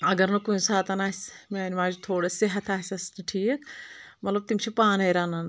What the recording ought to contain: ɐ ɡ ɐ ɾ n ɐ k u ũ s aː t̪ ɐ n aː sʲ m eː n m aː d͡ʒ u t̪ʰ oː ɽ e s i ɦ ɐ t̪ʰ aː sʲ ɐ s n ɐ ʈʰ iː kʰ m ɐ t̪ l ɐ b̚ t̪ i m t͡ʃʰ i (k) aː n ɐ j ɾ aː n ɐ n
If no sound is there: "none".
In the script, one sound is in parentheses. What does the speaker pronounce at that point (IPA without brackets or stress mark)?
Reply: p